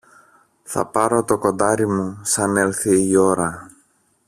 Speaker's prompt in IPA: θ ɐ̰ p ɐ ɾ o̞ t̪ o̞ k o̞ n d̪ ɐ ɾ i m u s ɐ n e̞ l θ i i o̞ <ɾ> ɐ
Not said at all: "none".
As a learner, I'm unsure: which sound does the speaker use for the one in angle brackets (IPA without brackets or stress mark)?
ɾ